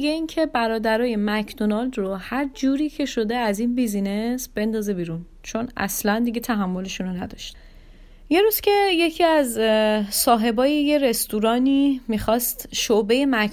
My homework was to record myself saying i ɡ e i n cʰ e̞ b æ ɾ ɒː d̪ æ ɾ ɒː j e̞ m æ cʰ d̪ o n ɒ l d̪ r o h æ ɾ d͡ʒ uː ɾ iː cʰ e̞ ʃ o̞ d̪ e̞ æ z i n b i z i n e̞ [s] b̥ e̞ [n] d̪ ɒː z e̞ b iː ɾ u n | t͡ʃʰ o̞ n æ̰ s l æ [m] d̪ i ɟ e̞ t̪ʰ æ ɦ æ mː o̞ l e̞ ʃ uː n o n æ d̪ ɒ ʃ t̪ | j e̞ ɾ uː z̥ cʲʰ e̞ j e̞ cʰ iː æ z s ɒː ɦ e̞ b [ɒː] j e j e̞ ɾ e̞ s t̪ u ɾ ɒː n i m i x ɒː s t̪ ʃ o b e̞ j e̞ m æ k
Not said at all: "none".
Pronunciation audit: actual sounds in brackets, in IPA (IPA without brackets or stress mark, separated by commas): s, n, n, ɒː